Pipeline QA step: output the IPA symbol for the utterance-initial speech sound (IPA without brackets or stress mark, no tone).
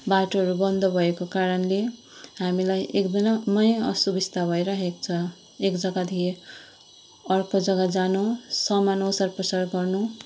b